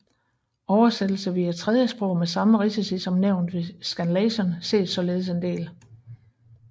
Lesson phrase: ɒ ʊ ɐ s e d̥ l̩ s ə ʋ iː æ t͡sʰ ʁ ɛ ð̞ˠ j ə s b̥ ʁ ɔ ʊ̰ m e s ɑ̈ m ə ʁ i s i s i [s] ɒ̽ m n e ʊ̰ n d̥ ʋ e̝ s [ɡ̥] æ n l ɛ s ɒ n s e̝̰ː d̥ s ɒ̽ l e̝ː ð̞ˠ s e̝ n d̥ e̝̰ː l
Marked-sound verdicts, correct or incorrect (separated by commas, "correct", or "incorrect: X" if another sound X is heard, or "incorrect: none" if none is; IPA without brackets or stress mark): correct, correct